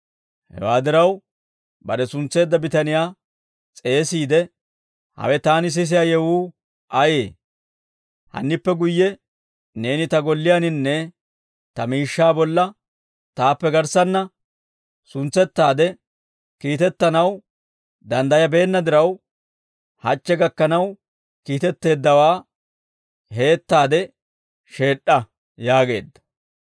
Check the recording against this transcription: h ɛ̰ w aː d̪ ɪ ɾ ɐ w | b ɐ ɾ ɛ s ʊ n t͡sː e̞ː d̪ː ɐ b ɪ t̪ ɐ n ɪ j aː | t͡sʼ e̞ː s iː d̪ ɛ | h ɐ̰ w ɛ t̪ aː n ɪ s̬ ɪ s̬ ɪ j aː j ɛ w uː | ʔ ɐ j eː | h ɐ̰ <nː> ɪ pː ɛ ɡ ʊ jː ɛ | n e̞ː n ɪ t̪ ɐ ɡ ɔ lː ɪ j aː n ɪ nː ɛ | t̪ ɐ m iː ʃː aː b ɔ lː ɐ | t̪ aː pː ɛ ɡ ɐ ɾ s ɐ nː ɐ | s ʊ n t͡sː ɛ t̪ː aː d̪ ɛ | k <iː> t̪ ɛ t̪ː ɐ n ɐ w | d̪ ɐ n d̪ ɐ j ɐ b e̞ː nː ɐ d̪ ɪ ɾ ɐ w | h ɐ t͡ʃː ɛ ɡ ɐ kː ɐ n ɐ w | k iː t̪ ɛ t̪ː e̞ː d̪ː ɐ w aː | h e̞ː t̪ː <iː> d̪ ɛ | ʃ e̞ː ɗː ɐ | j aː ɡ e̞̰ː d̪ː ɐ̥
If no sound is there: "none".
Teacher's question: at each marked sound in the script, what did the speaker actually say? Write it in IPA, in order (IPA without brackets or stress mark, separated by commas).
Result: nː, iː, aː